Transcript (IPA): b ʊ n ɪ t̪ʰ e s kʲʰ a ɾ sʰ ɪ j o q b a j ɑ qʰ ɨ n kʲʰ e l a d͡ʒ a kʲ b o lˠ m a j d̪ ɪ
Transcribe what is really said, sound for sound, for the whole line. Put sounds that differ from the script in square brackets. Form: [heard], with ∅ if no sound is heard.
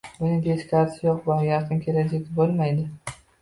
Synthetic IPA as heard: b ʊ n ɪ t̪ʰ e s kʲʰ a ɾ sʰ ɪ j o q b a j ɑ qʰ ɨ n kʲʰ e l a d͡ʒ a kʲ b o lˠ m a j d̪ ɪ